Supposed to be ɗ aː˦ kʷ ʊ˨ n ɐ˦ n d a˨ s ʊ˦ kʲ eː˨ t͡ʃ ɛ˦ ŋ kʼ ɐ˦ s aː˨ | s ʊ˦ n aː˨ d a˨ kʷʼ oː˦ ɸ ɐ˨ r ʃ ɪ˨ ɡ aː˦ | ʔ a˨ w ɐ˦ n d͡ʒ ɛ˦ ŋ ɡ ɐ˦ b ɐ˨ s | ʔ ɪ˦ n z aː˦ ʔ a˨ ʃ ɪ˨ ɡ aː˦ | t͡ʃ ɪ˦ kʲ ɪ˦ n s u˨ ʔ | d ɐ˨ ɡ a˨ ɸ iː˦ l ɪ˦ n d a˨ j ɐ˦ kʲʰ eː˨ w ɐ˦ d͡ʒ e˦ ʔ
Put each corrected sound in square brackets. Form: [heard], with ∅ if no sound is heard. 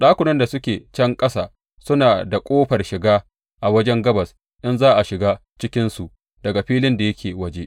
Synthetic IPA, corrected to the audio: ɗ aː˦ kʷ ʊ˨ n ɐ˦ n d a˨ s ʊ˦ kʲ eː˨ t͡ʃ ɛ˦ ŋ kʼ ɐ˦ s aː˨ | s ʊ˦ n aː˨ d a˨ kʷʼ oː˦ ɸ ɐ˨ r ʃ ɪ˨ ɡ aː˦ | ʔ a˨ w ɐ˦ [∅] d͡ʒ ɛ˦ ŋ ɡ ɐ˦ b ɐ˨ s | ʔ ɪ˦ n z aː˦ ʔ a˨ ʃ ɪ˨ ɡ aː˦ | t͡ʃ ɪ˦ kʲ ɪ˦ n s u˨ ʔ | d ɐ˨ ɡ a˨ ɸ iː˦ l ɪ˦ n d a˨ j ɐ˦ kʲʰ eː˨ w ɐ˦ d͡ʒ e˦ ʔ